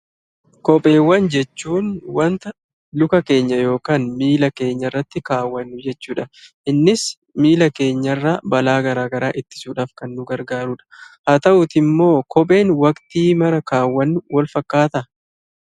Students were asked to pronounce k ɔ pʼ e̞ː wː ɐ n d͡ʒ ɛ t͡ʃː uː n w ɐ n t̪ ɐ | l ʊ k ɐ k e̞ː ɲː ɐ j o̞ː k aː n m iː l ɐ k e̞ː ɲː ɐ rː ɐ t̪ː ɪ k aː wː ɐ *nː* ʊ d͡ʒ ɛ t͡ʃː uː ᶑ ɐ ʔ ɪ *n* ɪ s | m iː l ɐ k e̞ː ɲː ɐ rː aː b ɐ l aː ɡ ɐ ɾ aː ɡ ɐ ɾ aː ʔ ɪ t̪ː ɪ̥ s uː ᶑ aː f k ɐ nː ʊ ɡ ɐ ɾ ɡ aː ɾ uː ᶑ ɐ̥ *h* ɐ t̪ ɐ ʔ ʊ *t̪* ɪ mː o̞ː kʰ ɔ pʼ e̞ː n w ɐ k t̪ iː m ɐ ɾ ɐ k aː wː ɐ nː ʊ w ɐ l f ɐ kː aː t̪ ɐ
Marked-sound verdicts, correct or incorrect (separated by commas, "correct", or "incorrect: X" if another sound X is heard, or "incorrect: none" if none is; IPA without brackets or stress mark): correct, incorrect: nː, correct, correct